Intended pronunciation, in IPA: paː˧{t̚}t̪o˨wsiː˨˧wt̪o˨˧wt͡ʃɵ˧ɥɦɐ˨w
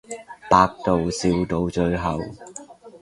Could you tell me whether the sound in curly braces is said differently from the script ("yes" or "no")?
yes